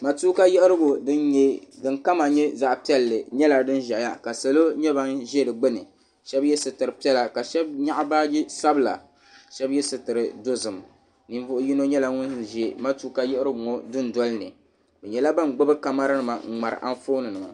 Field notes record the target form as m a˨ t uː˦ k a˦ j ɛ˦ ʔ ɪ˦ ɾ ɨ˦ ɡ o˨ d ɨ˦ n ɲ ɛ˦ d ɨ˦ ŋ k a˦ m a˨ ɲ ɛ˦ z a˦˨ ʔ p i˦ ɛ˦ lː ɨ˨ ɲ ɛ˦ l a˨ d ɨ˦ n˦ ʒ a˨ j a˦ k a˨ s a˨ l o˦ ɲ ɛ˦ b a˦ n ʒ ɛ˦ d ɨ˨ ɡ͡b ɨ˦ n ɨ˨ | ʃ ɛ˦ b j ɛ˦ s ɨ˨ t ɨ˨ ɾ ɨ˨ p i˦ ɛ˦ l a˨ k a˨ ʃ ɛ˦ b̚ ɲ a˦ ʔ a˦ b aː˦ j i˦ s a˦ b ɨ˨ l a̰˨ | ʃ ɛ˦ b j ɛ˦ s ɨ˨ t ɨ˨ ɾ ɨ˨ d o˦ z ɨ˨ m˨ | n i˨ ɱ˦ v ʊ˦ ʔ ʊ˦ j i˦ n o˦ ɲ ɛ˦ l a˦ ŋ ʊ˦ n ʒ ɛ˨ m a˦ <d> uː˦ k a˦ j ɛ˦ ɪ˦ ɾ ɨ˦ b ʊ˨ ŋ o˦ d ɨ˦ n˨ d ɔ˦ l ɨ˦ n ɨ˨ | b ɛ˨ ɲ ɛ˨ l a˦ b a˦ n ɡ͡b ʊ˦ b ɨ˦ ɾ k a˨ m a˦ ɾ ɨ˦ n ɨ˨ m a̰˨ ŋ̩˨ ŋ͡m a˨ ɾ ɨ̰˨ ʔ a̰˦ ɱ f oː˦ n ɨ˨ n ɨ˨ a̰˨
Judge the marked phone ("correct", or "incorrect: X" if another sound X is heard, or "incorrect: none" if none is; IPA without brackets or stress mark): incorrect: t